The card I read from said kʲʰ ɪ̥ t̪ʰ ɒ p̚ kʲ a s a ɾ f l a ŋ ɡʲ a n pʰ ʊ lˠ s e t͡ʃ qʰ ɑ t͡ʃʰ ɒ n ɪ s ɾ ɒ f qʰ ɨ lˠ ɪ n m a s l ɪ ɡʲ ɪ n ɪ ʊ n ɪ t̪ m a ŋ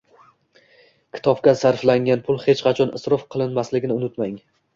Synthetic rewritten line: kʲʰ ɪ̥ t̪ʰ ɒ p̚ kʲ a s a ɾ f l a ŋ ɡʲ a n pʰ ʊ lˠ h e t͡ʃ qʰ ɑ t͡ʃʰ ɒ n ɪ s ɾ ɒ f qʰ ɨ lˠ ɪ n m a s l ɪ ɡʲ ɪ n ɪ ʊ n ɪ t̪ m a ŋ